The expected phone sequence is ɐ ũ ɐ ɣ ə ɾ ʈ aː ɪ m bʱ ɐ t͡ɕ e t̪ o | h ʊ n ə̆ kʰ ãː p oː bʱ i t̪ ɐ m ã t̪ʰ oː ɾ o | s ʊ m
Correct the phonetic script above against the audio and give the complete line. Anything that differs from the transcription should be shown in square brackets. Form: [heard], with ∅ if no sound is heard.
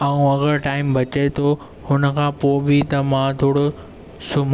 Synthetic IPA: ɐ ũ ɐ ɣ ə ɾ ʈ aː ɪ m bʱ ɐ t͡ɕ e [t̪ʰ] o | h ʊ n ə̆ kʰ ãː p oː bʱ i t̪ ɐ m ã t̪ʰ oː [ɽ] o | s ʊ m